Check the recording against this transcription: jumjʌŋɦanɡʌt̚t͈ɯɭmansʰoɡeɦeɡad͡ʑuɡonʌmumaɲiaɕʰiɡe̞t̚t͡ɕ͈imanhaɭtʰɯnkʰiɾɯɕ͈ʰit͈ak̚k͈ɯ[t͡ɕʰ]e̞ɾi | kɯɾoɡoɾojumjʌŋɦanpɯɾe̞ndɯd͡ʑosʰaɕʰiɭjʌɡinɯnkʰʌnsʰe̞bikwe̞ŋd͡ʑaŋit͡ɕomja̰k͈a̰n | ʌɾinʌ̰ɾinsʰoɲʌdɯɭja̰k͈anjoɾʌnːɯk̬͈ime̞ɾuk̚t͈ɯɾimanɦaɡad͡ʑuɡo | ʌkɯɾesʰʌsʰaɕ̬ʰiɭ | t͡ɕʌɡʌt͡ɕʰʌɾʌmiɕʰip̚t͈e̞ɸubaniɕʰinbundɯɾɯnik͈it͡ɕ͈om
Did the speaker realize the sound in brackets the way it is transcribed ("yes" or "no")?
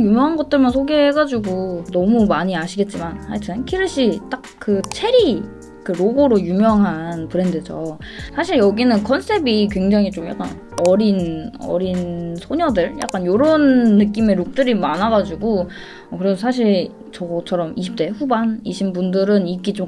yes